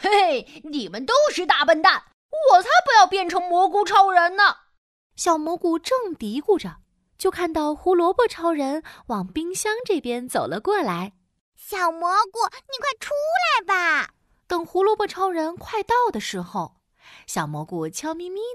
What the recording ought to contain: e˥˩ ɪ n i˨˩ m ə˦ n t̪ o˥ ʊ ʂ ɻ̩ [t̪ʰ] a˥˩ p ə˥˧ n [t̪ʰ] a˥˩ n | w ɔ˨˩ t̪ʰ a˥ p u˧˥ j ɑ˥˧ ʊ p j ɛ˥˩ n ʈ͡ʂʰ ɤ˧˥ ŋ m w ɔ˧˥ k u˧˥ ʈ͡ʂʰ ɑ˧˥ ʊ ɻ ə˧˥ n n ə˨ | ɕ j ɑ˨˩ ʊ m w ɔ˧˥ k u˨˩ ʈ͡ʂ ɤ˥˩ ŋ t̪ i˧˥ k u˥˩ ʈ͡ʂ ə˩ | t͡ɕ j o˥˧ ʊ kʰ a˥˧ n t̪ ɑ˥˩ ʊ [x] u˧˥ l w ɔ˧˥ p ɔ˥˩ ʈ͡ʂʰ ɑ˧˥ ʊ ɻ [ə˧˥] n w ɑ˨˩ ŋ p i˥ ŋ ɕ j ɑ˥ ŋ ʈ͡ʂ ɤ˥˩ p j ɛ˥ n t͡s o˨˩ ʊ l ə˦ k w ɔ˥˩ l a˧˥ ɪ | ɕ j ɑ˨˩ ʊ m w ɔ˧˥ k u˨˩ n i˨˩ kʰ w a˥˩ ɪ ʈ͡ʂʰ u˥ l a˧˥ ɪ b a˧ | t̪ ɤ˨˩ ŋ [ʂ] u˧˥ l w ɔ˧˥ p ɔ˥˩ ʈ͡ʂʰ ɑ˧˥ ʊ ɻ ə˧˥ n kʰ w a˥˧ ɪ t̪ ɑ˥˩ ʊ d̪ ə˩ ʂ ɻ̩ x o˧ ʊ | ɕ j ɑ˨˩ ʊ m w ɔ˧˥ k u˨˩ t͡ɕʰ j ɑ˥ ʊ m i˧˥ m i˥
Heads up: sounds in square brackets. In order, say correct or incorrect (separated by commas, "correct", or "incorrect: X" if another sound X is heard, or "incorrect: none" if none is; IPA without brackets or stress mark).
incorrect: t̪, incorrect: t̪, correct, correct, incorrect: x